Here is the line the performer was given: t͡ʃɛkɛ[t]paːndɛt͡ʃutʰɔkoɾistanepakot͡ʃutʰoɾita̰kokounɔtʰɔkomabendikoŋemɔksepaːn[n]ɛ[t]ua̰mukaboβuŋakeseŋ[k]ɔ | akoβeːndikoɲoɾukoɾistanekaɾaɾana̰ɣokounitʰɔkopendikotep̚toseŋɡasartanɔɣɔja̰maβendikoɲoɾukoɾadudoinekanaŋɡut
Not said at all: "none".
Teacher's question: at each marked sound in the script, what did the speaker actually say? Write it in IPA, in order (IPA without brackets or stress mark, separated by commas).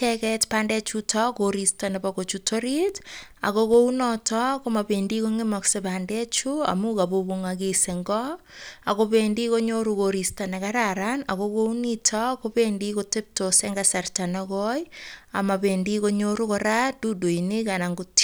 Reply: t, d, t͡ʃ, ɡ